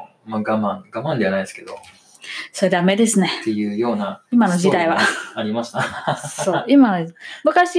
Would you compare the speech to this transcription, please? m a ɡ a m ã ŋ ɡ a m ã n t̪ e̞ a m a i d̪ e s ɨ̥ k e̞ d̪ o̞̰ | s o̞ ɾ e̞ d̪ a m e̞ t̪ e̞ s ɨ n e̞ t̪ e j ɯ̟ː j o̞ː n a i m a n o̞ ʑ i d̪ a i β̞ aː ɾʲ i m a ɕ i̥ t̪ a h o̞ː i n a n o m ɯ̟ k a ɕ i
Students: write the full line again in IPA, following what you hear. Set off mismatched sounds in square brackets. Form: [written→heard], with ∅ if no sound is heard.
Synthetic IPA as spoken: m a ɡ a m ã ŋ ɡ a m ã n [t̪→d̪] e̞ a [m→n] a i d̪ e s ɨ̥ k e̞ d̪ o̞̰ | s o̞ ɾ e̞ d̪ a m e̞ [t̪→d̪] e̞ s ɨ n e̞ t̪ e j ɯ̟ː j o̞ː n a i m a n o̞ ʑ i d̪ a i β̞ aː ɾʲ i m a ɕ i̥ t̪ a [h→s] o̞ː i [n→m] a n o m ɯ̟ k a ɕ i